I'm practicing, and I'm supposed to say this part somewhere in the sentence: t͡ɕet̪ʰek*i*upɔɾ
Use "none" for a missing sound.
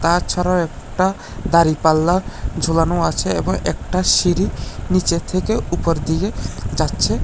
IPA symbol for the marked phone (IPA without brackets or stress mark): e